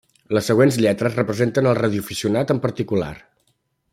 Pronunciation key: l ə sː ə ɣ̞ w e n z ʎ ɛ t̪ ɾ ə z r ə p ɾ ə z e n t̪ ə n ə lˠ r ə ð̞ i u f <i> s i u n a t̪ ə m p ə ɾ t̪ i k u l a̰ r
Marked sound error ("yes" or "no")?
no